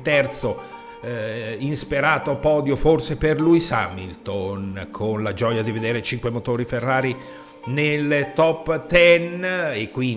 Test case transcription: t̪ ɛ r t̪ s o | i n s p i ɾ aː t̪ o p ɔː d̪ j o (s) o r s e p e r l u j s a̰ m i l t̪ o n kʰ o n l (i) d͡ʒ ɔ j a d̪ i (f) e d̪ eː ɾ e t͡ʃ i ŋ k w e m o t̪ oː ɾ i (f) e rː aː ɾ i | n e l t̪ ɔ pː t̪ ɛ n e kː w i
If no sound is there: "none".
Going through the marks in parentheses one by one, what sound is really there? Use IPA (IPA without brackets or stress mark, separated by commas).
f, a, v, f